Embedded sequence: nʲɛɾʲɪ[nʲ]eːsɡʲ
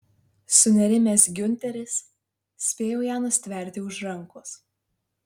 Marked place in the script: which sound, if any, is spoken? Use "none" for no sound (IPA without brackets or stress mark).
mʲ